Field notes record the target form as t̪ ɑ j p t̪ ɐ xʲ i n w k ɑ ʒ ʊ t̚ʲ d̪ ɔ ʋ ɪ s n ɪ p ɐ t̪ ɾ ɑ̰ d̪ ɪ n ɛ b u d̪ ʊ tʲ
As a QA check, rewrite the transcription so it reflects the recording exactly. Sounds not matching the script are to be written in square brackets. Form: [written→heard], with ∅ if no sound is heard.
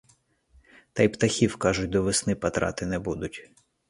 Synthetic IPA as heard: t̪ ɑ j p t̪ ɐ xʲ i [n→∅] w k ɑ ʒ ʊ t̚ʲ d̪ ɔ ʋ ɪ s n ɪ p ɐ t̪ ɾ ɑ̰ [d̪→t̪] ɪ n ɛ b u d̪ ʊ tʲ